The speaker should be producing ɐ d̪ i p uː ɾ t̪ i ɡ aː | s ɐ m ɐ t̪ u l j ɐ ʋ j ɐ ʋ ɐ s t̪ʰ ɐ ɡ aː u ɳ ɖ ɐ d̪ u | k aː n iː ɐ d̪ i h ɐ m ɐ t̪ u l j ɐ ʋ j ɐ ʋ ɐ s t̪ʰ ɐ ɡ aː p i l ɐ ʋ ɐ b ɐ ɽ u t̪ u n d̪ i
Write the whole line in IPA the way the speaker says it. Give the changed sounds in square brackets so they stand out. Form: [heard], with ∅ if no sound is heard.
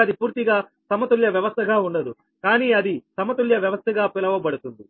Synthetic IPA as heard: ɐ d̪ i p uː ɾ t̪ i ɡ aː | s ɐ m ɐ t̪ u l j ɐ ʋ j ɐ ʋ ɐ s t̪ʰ ɐ ɡ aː u ɳ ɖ ɐ d̪ u | k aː n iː ɐ d̪ i [s] ɐ m ɐ t̪ u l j ɐ ʋ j ɐ ʋ ɐ s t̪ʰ ɐ ɡ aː p i l ɐ ʋ ɐ b ɐ ɽ u t̪ u n d̪ i